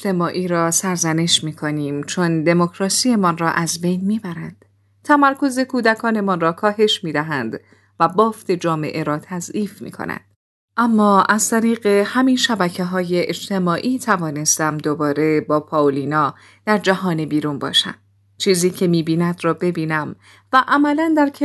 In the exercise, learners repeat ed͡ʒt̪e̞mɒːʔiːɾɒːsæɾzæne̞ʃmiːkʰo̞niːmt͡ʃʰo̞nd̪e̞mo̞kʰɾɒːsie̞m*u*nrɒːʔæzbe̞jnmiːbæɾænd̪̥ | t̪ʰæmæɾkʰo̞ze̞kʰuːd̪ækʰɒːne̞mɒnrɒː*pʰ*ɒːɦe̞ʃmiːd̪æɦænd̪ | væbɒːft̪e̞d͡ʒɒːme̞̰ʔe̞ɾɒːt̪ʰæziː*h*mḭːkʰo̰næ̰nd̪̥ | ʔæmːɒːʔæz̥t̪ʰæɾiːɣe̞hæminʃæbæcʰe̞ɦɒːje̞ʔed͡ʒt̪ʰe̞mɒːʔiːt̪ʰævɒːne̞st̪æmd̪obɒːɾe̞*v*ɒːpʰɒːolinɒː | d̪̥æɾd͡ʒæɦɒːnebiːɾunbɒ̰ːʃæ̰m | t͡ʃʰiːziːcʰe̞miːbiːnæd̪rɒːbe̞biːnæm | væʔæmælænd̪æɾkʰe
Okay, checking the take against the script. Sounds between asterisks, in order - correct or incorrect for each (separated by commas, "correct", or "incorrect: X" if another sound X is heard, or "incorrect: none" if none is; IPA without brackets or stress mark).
incorrect: ɒ, incorrect: kʰ, incorrect: f, incorrect: b